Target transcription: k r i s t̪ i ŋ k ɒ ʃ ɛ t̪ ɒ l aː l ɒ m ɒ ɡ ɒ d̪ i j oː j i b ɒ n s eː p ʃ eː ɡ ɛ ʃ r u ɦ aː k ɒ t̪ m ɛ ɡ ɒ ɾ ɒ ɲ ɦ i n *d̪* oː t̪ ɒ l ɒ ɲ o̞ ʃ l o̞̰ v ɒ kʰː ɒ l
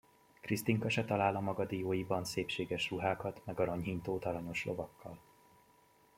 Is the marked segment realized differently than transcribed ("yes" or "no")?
yes